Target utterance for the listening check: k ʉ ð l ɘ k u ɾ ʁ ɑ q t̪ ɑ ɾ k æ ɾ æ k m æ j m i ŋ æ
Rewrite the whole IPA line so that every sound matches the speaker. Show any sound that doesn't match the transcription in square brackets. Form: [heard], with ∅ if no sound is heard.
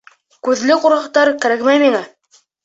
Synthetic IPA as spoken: k ʉ ð l ɘ [q] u ɾ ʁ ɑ q t̪ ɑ ɾ k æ ɾ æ k m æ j m i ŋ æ

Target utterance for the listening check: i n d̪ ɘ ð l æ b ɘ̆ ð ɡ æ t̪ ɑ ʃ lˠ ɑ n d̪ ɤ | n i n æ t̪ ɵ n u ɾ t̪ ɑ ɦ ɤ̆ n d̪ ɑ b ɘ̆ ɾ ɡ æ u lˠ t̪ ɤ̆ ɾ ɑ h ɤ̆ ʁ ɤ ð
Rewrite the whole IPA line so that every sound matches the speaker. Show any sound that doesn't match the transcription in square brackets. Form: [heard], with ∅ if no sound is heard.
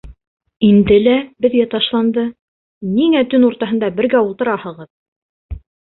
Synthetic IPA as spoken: i n d̪ ɘ [∅] l æ b ɘ̆ ð ɡ æ t̪ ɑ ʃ lˠ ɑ n d̪ ɤ | n i [ŋ] æ t̪ ɵ n u ɾ t̪ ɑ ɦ ɤ̆ n d̪ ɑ b ɘ̆ ɾ ɡ æ u lˠ t̪ ɤ̆ ɾ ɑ h ɤ̆ ʁ ɤ ð

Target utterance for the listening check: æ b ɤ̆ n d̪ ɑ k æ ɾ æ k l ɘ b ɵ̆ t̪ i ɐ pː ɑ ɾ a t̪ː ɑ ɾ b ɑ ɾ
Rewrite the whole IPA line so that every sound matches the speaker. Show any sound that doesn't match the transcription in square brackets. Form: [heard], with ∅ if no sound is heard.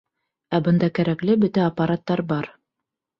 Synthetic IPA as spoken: æ b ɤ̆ n d̪ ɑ k æ ɾ æ k l ɘ b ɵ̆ t̪ [æ] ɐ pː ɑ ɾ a t̪ː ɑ ɾ b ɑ ɾ

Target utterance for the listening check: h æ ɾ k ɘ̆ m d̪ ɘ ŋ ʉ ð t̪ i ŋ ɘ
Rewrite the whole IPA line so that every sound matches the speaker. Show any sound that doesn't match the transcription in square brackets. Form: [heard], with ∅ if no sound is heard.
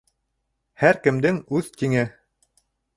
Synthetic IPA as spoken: h æ ɾ k ɘ̆ m d̪ ɘ ŋ ʉ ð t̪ i ŋ ɘ

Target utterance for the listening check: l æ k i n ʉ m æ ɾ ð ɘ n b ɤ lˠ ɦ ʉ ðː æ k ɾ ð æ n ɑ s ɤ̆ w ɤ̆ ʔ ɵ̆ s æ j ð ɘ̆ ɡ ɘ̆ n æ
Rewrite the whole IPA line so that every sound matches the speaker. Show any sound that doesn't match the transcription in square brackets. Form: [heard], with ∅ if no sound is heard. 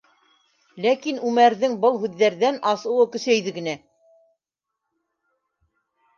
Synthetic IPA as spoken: l æ k i n ʉ m æ ɾ ð ɘ [ŋ] b ɤ lˠ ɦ ʉ ðː æ [∅] ɾ ð æ n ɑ s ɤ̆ w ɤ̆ [k] ɵ̆ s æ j ð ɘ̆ ɡ ɘ̆ n æ

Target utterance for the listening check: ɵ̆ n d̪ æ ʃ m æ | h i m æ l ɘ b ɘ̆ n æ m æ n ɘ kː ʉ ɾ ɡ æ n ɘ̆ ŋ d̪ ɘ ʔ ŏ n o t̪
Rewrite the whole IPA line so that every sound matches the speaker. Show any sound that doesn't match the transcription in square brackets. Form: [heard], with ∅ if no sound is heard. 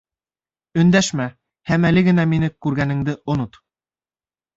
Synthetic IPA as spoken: ɵ̆ n d̪ æ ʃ m æ | h [æ] m æ l ɘ [ɡ] ɘ̆ n æ m [i] n ɘ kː ʉ ɾ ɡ æ n ɘ̆ ŋ d̪ ɘ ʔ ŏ n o t̪

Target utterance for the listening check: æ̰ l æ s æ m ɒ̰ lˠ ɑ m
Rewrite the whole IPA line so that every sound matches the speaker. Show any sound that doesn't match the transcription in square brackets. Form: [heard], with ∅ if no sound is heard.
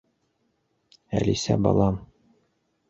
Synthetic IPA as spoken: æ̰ l [i] s æ [b] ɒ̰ lˠ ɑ m

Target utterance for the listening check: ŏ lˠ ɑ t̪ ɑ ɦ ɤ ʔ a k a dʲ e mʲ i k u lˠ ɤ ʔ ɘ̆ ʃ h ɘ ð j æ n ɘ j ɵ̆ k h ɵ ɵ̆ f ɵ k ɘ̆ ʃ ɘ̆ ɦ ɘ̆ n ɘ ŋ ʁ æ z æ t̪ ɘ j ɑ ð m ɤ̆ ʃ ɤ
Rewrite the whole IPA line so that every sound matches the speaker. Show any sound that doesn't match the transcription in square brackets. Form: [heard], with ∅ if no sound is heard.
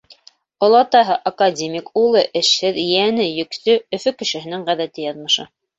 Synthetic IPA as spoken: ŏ lˠ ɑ t̪ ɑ ɦ ɤ ʔ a k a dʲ e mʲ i k u lˠ ɤ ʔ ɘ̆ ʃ h ɘ ð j æ n ɘ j ɵ̆ k [s] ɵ ɵ̆ f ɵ k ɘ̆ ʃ ɘ̆ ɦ ɘ̆ n ɘ ŋ ʁ æ [ð] æ t̪ ɘ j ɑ ð m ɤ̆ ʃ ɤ

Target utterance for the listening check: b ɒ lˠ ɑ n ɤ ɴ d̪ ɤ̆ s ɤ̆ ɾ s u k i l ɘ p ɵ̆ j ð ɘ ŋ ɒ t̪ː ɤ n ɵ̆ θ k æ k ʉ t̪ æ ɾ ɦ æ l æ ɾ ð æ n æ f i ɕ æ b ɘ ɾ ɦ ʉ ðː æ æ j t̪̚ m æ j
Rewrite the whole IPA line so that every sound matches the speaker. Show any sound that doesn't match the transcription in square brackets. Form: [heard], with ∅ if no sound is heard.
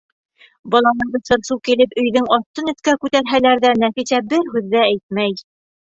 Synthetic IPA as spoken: b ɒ lˠ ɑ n ɤ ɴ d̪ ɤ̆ s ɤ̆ ɾ s u k i l ɘ p ɵ̆ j ð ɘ ŋ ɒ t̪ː ɤ n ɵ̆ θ k æ k ʉ t̪ æ ɾ ɦ æ l æ ɾ ð æ n æ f i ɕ æ b ɘ ɾ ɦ ʉ ðː æ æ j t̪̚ m æ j

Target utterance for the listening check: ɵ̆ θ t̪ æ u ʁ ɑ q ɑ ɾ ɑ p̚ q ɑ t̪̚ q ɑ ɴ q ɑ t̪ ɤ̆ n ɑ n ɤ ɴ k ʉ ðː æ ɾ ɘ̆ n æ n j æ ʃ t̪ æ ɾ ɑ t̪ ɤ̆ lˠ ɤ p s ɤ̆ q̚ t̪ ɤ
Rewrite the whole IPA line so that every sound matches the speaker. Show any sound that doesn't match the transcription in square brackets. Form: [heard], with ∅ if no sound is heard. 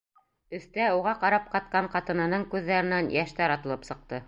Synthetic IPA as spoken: ɵ̆ θ t̪ æ u ʁ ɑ q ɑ ɾ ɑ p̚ q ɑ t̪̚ q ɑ ɴ q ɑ t̪ ɤ̆ n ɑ n ɤ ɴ k ʉ ðː æ ɾ ɘ̆ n æ n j æ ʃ t̪ æ ɾ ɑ t̪ ɤ̆ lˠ ɤ p s ɤ̆ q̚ t̪ ɤ

